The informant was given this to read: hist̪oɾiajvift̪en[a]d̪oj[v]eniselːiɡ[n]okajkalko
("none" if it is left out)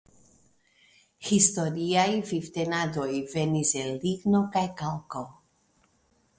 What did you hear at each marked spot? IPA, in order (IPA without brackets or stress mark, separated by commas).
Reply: a, v, n